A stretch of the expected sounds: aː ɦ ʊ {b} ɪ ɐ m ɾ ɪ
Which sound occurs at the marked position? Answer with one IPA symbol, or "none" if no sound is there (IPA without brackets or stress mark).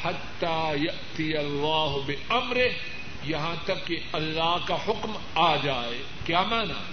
b